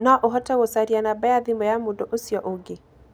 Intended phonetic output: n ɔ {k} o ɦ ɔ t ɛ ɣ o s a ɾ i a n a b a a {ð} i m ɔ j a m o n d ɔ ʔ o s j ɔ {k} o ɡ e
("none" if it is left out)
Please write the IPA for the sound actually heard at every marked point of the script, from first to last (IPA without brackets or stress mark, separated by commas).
ʔ, ð, ʔ